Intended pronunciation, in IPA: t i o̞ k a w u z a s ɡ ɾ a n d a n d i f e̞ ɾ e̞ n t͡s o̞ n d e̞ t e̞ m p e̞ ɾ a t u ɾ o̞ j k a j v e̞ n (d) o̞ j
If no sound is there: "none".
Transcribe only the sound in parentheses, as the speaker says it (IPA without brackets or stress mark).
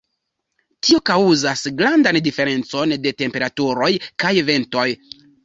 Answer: t